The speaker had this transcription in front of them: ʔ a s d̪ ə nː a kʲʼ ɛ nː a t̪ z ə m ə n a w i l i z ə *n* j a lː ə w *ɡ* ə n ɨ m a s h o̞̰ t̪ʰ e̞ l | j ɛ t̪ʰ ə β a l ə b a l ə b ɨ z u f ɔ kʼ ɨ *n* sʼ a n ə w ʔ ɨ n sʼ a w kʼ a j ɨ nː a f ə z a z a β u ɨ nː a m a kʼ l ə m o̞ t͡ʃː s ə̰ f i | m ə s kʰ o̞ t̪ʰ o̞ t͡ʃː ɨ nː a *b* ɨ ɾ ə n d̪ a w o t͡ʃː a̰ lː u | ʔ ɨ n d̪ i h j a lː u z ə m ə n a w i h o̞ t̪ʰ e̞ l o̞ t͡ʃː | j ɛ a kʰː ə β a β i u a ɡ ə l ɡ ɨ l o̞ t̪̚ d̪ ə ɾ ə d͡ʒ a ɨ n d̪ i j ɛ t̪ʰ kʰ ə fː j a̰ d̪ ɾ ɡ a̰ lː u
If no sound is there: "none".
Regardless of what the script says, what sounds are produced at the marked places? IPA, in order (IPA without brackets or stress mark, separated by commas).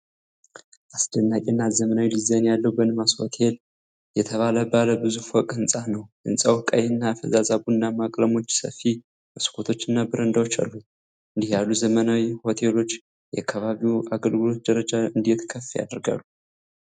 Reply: n, b, n, b